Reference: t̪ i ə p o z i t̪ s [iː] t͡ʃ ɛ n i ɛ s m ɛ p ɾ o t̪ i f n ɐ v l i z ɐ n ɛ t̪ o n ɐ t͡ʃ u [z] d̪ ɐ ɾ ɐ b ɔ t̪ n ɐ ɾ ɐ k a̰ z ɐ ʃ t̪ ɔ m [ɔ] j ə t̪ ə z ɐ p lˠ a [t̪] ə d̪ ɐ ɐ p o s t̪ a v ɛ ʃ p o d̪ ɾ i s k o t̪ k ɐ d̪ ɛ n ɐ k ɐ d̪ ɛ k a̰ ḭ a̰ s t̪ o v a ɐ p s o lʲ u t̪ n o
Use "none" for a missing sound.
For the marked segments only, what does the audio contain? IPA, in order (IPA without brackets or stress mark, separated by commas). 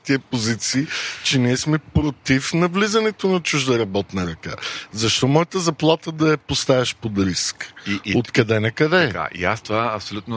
iː, ʒ, ɔ, t̪